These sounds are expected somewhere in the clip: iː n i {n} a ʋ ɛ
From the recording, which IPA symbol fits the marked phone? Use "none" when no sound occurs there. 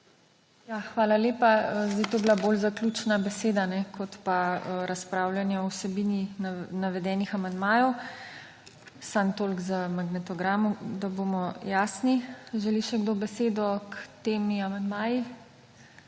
n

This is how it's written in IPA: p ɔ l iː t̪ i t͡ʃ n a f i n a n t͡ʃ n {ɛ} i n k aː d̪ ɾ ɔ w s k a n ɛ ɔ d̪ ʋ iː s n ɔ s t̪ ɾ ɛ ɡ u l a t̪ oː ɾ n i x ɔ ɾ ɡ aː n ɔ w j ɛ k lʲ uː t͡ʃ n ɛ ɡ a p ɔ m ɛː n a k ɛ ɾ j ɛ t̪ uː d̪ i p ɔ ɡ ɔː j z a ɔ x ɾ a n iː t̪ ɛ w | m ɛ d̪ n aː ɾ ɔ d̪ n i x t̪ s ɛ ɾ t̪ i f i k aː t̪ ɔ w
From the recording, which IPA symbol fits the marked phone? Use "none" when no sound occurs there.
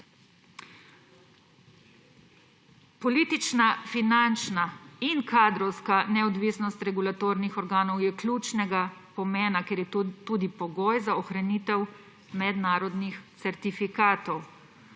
a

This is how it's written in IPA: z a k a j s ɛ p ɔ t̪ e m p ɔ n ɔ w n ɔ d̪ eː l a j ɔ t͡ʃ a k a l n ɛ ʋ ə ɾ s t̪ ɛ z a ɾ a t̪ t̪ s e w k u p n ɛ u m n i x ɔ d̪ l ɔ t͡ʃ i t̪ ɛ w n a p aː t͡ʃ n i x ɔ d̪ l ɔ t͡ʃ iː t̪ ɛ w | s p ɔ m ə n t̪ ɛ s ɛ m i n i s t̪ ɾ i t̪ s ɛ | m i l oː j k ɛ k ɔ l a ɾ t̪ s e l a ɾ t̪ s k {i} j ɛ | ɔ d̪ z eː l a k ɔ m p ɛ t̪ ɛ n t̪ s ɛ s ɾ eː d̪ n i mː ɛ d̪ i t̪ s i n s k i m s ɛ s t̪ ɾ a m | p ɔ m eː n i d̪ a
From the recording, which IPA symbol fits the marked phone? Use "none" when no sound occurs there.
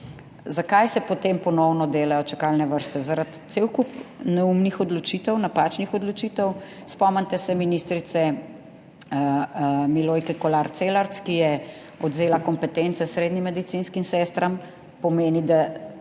i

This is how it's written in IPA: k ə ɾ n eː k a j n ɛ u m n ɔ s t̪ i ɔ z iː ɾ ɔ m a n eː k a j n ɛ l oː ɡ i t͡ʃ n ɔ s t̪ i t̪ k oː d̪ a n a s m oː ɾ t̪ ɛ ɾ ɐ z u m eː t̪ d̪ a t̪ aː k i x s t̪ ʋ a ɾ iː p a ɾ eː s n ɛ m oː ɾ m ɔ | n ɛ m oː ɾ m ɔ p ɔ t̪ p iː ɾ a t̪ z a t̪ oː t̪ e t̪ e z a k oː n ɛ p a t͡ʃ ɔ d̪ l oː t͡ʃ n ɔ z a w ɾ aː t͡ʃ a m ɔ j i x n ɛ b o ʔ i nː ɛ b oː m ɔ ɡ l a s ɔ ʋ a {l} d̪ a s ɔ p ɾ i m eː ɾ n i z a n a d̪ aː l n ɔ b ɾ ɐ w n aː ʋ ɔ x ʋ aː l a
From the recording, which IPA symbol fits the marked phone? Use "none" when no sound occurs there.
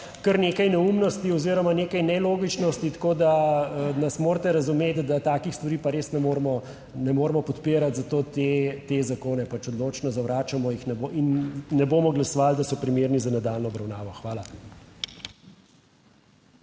l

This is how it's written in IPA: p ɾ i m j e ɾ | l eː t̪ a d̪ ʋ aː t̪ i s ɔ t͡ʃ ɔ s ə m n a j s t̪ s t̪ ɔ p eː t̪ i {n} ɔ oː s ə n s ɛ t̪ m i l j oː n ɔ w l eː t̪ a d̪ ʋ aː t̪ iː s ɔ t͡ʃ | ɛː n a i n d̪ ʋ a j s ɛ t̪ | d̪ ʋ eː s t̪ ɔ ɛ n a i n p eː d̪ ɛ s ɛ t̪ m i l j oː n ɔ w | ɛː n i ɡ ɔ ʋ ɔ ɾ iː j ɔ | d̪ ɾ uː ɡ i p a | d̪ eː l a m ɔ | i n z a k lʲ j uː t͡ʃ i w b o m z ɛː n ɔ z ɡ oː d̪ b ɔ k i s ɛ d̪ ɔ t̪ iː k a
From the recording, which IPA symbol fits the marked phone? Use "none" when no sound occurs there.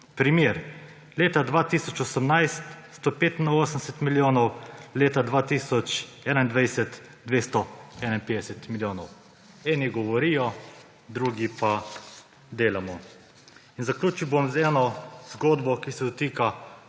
n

